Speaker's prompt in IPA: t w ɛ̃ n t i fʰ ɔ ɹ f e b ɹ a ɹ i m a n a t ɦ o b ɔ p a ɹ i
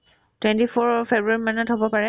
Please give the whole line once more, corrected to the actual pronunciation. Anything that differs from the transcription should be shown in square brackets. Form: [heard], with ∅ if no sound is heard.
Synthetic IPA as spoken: t w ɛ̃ n t i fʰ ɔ ɹ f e b ɹ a ɹ i m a n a t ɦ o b ɔ p a ɹ [ɛ]